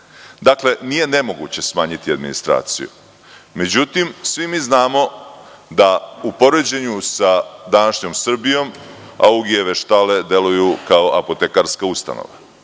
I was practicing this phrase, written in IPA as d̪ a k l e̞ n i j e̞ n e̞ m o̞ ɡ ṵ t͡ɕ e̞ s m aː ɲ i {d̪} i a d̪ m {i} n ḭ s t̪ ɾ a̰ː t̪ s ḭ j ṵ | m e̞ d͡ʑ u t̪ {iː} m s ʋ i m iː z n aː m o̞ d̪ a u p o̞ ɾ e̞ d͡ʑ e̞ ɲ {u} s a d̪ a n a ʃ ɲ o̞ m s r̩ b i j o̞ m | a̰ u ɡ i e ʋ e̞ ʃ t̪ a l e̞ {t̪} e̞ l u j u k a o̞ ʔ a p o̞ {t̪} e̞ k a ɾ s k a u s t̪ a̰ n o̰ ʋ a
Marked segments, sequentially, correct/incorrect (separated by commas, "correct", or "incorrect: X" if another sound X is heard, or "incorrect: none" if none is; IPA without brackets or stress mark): incorrect: t̪, correct, incorrect: i, correct, incorrect: d̪, correct